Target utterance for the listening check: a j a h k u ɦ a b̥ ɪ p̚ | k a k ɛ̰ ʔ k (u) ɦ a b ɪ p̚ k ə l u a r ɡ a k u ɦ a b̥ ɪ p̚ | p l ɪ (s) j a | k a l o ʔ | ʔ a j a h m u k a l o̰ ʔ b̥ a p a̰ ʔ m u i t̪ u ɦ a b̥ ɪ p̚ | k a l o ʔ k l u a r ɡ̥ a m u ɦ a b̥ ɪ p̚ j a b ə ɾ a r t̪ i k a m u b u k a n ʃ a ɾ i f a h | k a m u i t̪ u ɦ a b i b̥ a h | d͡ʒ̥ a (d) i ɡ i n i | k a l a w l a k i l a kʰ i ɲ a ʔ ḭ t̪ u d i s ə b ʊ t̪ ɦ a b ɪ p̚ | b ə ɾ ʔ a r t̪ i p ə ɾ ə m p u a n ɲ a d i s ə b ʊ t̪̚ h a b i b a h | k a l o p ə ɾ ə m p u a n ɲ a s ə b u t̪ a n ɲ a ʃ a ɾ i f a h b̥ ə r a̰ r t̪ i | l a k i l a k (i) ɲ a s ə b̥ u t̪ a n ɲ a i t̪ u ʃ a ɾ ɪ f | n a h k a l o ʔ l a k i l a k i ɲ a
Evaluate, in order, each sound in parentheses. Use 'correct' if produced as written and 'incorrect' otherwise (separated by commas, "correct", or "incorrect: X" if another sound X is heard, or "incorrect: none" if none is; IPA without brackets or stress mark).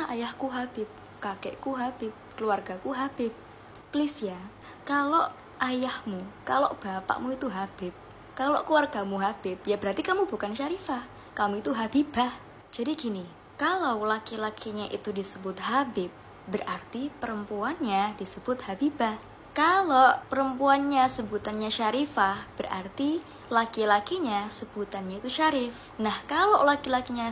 correct, correct, correct, correct